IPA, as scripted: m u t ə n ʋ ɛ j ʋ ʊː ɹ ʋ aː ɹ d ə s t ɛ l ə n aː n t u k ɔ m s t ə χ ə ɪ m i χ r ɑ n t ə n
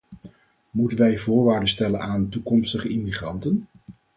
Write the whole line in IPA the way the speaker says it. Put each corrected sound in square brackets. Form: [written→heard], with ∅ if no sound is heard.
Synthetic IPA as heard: m u t ə n ʋ ɛ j [ʋ→v] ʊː ɹ ʋ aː ɹ d ə s t ɛ l ə n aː n t u k ɔ m s t ə χ ə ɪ m i χ r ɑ n t ə n